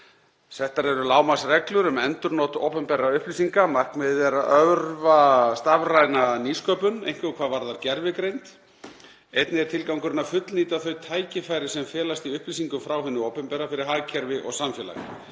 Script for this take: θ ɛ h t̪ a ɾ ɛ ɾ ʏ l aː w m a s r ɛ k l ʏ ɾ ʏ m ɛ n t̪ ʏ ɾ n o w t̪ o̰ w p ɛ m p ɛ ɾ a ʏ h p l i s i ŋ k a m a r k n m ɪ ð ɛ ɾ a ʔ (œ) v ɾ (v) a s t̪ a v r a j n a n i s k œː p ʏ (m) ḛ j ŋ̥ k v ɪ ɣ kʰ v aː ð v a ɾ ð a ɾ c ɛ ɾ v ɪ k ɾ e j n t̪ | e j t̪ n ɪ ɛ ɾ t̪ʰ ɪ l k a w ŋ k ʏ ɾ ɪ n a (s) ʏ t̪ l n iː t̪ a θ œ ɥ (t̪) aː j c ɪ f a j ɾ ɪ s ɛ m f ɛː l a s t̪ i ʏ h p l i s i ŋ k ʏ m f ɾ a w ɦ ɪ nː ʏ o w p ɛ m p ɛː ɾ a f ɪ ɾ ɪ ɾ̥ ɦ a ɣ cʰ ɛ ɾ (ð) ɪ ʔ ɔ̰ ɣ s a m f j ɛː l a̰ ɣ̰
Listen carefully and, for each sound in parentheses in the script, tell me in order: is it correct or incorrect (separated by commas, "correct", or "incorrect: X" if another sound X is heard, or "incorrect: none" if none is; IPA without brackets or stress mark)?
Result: correct, correct, incorrect: n, incorrect: f, incorrect: t̪ʰ, incorrect: v